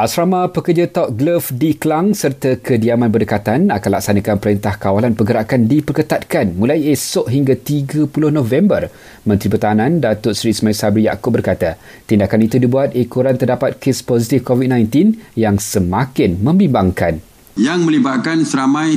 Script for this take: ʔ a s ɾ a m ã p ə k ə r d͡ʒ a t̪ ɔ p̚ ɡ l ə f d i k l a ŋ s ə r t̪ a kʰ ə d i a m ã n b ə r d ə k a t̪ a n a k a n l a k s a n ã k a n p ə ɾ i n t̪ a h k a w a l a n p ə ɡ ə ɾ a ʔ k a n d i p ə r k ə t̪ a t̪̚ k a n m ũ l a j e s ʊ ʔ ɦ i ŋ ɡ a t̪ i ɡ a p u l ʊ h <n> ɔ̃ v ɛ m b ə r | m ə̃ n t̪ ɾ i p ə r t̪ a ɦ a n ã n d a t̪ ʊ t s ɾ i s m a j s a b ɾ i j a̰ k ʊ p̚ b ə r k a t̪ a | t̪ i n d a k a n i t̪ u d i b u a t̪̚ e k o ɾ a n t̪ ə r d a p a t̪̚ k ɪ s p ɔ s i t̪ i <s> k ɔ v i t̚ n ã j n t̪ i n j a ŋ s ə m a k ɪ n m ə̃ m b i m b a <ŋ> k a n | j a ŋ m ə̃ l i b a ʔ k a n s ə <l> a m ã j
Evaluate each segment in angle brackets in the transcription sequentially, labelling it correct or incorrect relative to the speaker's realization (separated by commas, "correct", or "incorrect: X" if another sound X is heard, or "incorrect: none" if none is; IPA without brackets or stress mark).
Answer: correct, incorrect: f, correct, incorrect: ɾ